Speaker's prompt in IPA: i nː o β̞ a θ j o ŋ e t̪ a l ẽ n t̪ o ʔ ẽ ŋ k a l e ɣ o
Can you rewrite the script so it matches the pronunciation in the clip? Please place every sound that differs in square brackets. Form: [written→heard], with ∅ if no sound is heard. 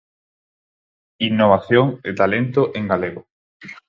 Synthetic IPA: i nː o β̞ a θ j o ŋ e t̪ a l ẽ n t̪ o ʔ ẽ ŋ [k→ɡ] a l e ɣ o